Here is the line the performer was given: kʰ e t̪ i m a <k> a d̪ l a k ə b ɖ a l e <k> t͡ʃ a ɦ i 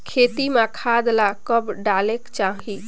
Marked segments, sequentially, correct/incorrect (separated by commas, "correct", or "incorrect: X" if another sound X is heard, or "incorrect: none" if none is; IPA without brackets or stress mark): incorrect: kʰ, correct